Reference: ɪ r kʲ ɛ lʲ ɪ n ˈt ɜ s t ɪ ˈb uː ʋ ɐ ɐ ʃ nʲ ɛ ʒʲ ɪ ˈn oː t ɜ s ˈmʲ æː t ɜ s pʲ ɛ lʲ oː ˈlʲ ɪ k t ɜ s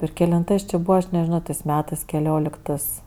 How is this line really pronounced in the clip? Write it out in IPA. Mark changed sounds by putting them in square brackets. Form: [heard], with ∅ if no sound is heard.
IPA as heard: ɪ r kʲ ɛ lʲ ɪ n ˈt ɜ s [t͡ʃʲ] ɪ ˈb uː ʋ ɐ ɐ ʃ nʲ ɛ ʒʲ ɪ ˈn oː t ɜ s ˈmʲ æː t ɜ s [kʲ] ɛ lʲ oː ˈlʲ ɪ k t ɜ s